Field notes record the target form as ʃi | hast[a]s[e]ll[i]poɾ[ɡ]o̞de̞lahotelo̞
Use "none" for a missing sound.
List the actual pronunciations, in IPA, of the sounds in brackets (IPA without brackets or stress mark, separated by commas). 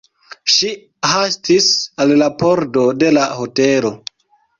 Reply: i, a, a, d